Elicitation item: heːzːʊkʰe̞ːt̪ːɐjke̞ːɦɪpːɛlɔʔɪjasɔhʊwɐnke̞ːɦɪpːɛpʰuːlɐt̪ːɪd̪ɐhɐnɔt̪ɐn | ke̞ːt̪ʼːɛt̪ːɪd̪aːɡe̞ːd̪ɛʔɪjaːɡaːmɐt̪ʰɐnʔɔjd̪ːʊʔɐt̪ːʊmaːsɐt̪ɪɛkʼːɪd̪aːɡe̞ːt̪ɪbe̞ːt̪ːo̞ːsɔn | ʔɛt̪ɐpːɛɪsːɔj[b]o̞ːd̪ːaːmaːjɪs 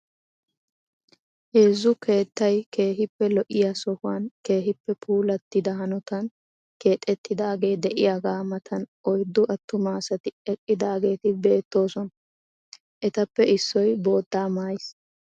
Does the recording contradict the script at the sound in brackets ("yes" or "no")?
no